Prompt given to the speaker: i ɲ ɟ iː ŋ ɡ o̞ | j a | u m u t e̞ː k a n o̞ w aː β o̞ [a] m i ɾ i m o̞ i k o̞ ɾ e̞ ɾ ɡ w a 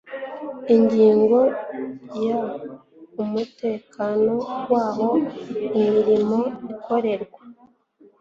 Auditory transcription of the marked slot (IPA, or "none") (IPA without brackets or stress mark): i